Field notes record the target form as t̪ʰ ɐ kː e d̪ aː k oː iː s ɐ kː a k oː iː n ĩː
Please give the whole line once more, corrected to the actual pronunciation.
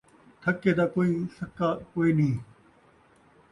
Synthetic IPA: t̪ʰ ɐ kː e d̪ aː k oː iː s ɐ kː a k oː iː n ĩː